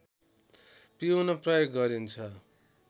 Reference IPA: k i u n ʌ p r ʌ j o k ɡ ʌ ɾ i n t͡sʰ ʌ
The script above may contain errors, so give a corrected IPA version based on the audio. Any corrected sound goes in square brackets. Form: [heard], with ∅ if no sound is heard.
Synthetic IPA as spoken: [p] i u n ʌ p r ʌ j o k ɡ ʌ ɾ i n t͡sʰ ʌ